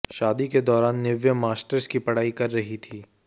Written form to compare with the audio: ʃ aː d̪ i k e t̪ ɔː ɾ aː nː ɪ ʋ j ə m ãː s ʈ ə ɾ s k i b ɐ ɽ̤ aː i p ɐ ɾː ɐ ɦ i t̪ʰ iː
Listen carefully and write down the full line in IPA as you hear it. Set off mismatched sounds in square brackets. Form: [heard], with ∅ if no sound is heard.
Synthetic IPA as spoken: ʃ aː d̪ i k e [d̪] ɔː ɾ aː nː ɪ ʋ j ə m [aː] s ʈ ə ɾ s k i [p] ɐ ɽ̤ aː i [k] ɐ ɾː ɐ ɦ i t̪ʰ iː